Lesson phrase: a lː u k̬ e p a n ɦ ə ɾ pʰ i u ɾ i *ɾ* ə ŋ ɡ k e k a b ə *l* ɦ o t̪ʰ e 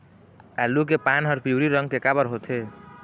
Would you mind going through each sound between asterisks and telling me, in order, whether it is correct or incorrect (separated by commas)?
correct, incorrect